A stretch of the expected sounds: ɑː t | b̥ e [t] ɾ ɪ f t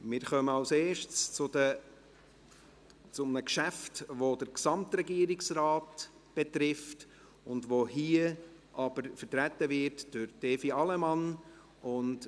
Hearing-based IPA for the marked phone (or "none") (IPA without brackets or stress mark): t